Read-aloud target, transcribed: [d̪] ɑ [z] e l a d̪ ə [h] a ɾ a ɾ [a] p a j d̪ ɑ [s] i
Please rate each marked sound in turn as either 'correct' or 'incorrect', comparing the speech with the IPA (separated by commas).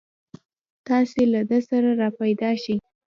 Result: incorrect, incorrect, incorrect, incorrect, incorrect